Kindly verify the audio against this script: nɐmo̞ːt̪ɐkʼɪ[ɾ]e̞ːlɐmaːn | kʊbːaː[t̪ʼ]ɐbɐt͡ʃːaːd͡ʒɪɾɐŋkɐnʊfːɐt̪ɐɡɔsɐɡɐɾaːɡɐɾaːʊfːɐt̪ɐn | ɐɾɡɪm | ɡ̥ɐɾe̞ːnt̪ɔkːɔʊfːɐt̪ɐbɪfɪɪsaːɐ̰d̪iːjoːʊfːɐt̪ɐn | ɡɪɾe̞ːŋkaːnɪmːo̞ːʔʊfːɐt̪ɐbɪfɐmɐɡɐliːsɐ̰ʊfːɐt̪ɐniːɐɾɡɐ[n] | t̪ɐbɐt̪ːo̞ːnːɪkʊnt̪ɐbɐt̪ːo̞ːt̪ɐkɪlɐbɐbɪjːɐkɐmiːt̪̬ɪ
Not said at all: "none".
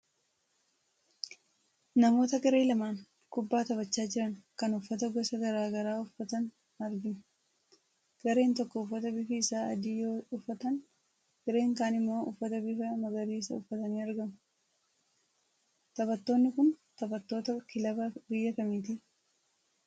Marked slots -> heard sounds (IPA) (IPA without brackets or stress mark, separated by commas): ɾ, t̪, m